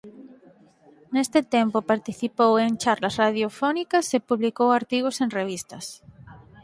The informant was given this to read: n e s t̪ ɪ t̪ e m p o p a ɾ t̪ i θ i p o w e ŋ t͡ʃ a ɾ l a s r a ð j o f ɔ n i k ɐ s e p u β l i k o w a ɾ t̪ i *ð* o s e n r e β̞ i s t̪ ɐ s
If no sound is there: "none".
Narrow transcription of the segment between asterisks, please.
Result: ɣ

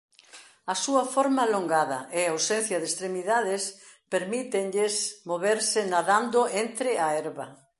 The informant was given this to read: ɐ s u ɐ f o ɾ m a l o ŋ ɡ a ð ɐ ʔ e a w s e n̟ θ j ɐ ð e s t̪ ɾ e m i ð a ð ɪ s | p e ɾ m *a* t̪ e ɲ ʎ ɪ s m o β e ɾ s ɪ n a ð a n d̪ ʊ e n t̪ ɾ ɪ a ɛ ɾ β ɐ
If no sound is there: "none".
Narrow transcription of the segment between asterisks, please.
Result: i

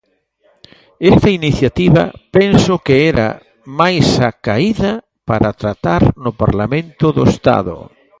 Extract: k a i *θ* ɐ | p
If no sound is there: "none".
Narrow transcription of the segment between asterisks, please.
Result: ð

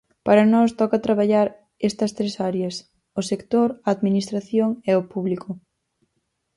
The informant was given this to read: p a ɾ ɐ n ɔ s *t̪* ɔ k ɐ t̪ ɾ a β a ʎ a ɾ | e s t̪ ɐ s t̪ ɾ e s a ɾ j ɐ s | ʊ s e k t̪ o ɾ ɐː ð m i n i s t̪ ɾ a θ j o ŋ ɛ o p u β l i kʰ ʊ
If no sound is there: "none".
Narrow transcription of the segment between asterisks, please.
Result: t̪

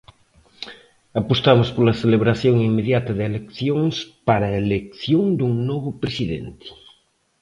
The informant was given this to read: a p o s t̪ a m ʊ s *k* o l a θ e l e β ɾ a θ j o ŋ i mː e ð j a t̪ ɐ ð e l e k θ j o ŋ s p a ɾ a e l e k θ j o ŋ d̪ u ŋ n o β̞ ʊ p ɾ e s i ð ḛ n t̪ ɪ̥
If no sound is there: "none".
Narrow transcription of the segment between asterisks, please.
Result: p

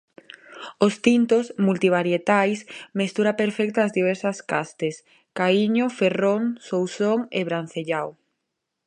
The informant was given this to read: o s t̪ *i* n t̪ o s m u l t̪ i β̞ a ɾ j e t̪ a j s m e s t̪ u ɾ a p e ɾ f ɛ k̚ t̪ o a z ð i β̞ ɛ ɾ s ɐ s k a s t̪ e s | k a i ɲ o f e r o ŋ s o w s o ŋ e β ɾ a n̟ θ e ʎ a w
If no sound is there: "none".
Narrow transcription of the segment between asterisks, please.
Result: i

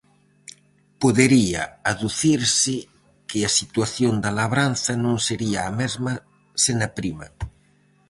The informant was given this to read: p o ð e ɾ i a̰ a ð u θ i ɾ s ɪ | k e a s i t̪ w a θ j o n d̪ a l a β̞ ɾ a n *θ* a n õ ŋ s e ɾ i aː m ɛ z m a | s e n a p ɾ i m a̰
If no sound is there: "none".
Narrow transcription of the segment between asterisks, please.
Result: θ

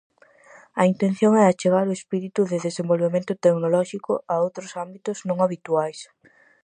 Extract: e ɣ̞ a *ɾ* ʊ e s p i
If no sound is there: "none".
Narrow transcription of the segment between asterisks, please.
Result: ɾ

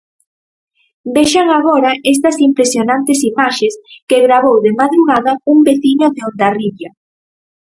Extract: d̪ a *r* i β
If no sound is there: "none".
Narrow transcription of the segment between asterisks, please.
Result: r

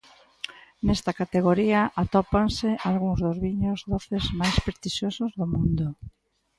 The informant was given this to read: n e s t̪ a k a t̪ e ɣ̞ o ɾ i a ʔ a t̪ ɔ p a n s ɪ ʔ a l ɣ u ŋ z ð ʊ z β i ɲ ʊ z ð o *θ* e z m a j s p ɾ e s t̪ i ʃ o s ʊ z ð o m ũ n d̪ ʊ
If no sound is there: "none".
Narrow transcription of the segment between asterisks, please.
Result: θ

